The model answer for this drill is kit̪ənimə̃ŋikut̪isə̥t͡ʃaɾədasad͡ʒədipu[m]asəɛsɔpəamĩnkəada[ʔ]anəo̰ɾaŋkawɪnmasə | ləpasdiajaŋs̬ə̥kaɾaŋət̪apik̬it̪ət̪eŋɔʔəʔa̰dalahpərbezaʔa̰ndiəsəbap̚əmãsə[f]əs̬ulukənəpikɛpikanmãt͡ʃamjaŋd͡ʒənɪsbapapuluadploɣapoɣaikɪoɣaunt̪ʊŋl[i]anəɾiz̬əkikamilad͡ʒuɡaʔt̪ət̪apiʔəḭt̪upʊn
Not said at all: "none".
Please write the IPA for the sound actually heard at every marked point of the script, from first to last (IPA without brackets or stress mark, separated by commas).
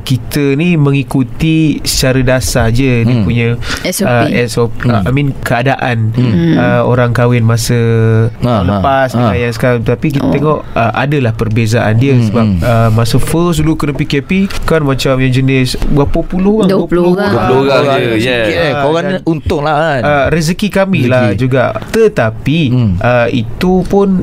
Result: ɲ, ʔ, f, a